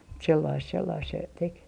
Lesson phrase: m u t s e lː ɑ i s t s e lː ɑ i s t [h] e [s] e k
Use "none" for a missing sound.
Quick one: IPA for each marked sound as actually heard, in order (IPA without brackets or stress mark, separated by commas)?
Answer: s, t